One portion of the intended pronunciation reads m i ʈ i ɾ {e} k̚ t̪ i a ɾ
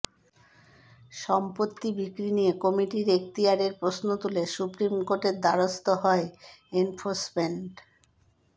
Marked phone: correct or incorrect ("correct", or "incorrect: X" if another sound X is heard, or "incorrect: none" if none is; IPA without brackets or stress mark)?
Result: correct